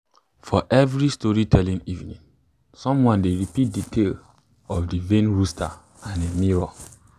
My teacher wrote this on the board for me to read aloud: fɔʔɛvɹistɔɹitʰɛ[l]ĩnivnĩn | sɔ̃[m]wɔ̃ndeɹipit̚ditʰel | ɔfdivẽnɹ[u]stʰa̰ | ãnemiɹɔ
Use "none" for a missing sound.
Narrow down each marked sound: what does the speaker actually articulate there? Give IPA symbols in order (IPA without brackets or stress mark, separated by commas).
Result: l, m, u